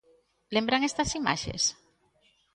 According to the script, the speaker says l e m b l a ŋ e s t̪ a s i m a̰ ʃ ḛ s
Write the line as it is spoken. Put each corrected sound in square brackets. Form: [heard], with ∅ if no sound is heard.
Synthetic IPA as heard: l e m b [ɾ] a ŋ e s t̪ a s i m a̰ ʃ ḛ s